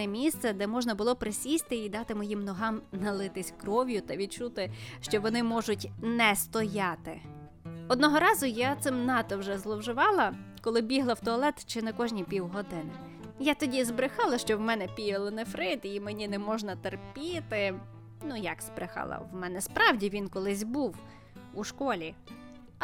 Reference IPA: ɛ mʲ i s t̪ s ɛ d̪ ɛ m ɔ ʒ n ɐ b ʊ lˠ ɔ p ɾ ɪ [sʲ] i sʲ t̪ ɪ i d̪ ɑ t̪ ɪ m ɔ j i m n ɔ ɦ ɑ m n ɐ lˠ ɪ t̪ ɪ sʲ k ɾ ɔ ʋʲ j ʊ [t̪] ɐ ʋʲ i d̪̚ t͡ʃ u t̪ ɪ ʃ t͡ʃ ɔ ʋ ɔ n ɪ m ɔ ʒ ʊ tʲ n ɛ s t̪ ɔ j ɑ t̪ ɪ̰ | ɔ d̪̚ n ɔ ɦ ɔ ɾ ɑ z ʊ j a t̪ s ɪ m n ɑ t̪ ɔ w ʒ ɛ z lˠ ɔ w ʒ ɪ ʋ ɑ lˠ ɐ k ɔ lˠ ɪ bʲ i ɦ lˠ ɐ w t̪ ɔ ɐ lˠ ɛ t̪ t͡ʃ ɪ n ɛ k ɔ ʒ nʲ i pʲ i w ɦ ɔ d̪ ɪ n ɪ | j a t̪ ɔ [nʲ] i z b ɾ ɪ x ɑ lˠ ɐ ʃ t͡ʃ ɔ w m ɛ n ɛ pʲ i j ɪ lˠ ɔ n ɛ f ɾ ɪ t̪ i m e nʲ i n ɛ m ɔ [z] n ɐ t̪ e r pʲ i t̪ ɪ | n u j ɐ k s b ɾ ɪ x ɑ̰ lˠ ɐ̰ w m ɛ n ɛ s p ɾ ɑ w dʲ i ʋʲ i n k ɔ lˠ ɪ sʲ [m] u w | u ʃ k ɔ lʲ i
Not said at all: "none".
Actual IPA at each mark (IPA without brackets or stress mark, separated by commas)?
sʲ, t̪, dʲ, ʒ, b